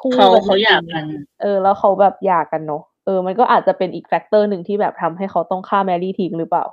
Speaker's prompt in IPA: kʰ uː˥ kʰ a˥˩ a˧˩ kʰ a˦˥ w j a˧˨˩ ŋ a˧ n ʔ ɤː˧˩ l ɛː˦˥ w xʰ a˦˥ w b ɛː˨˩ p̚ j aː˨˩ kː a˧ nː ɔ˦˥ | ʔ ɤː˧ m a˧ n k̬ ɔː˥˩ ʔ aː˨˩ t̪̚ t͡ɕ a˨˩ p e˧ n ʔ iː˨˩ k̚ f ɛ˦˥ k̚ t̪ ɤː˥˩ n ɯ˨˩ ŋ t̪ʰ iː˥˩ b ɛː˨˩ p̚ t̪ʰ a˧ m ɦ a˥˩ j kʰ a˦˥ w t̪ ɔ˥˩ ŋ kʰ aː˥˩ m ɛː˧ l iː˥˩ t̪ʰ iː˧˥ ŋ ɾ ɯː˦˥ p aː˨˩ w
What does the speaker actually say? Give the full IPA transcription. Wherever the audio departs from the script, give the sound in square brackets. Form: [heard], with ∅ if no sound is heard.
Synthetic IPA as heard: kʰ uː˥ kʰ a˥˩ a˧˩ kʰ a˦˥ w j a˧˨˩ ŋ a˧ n ʔ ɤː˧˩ l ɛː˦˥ w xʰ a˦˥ w b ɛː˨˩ p̚ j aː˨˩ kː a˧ nː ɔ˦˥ | ʔ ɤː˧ m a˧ n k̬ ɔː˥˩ ʔ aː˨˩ t̪̚ t͡ɕ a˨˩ p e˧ n ʔ iː˨˩ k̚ f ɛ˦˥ k̚ t̪ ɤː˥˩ n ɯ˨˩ ŋ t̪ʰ iː˥˩ b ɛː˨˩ p̚ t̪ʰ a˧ m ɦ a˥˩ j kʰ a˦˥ w t̪ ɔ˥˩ ŋ kʰ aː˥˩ m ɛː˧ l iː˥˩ t̪ʰ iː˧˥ ŋ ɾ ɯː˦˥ p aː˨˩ w